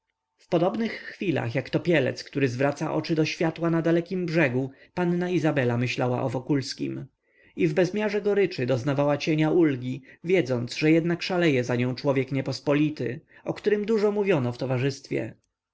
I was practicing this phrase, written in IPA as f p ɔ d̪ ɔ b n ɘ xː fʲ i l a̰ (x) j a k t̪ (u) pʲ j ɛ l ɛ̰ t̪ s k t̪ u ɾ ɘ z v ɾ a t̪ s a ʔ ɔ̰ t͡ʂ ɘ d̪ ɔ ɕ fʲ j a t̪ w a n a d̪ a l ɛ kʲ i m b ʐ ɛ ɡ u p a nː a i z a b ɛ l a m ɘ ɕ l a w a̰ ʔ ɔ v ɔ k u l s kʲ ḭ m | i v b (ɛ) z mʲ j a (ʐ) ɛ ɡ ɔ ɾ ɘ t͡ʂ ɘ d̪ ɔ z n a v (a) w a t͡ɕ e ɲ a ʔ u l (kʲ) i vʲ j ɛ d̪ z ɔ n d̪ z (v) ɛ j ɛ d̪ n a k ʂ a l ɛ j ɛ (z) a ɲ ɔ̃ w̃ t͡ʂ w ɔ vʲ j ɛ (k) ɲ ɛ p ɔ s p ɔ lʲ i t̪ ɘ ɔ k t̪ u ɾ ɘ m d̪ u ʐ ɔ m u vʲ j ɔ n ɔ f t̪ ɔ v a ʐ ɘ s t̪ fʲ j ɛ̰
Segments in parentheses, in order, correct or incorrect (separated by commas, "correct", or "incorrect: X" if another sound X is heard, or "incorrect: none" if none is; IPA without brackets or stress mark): correct, incorrect: ɔ, correct, correct, correct, incorrect: ɡʲ, incorrect: ʐ, correct, correct